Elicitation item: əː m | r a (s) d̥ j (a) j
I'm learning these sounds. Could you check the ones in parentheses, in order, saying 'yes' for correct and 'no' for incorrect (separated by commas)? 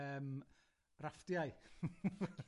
no, yes